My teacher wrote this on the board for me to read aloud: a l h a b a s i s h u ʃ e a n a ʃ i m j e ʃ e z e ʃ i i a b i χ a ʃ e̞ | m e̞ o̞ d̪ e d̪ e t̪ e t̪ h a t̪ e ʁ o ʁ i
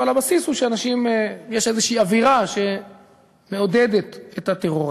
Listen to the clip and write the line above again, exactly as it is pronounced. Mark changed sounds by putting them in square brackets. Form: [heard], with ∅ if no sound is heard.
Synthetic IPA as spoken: a l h a b a s i s h u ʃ e a n a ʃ i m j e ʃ e z e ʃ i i a [v] i [ʁ] a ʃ e̞ | m e̞ o̞ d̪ e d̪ e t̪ e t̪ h a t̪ e ʁ o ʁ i